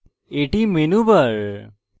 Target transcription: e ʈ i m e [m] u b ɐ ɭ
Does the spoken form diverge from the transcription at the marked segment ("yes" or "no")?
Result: yes